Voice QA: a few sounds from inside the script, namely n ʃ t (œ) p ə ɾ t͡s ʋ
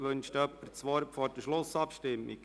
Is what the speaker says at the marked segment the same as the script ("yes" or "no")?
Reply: yes